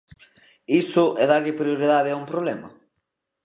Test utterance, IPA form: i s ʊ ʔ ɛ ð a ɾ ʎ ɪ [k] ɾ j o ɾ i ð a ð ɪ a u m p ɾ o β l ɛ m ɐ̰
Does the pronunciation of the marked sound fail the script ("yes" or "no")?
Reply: yes